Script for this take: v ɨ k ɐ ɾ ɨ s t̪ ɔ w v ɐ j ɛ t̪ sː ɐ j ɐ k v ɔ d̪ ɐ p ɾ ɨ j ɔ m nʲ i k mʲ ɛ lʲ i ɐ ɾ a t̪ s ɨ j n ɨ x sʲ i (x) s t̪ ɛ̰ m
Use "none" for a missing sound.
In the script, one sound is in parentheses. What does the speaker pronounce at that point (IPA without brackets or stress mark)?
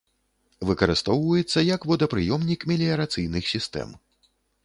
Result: none